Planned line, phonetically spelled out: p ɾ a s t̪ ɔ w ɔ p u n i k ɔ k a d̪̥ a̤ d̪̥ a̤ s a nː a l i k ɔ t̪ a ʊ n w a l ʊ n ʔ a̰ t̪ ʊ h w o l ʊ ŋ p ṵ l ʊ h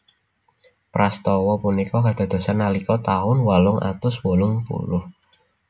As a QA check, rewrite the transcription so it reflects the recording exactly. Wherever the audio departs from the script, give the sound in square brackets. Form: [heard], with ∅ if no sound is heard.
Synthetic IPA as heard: p ɾ a s t̪ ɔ w ɔ p u n i k ɔ k a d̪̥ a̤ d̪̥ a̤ s a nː a l i k ɔ t̪ a ʊ n w a l ʊ [ŋ] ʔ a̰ t̪ ʊ [s] w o l ʊ ŋ p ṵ l ʊ h